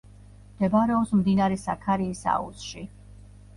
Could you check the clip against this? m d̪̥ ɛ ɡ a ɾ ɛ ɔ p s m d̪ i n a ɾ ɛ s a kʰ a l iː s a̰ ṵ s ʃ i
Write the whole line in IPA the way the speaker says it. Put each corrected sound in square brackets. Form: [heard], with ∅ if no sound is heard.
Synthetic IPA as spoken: m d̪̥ ɛ [b] a ɾ ɛ ɔ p s m d̪ i n a ɾ ɛ s a kʰ a [ɾ] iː s a̰ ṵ s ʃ i